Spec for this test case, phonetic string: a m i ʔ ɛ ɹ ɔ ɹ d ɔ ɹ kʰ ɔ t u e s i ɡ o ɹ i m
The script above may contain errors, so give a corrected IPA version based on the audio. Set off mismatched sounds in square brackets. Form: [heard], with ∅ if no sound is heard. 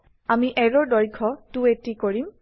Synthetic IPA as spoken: a m i ʔ ɛ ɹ ɔ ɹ d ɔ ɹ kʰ ɔ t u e [t] i [k] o ɹ i m